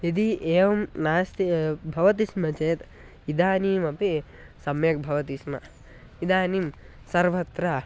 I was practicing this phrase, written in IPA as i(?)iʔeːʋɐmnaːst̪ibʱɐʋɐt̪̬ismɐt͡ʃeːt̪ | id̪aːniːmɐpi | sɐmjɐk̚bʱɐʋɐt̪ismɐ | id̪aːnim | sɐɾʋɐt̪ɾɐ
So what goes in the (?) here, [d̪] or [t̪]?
d̪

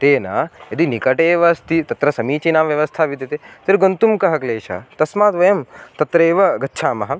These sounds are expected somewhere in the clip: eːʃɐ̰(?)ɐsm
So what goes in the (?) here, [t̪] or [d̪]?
t̪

